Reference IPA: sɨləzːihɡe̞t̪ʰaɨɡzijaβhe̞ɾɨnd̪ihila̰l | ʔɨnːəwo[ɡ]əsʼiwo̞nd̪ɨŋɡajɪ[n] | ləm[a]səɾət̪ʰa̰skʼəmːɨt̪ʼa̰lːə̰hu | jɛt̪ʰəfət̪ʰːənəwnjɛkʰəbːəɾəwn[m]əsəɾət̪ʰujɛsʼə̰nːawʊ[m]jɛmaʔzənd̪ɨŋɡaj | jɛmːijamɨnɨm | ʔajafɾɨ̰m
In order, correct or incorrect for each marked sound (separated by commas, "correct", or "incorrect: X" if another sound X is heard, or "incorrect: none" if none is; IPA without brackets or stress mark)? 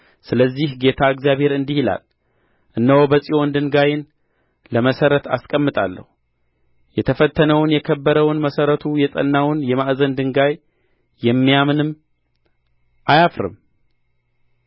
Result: incorrect: b, correct, incorrect: ə, correct, incorrect: n